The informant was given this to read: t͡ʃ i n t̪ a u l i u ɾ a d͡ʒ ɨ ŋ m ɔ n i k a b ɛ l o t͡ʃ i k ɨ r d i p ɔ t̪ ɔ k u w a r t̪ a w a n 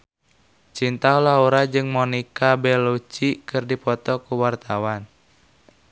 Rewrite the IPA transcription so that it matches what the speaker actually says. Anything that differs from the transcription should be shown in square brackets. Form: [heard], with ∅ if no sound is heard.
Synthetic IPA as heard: t͡ʃ i n t̪ a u l [a] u ɾ a d͡ʒ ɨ ŋ m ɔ n i k a b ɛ l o t͡ʃ i k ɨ r d i p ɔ t̪ ɔ k u w a r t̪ a w a n